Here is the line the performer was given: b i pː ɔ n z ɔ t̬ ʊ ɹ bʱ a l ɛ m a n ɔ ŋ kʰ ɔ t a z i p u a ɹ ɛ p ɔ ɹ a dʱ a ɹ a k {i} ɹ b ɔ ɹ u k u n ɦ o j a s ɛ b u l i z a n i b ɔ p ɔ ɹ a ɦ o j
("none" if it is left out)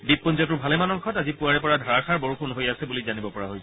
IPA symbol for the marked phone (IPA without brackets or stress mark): a